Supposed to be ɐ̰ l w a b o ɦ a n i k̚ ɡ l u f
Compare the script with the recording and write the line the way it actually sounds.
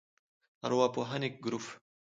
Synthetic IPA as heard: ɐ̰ ɾ w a p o ɦ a n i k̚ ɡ ɾ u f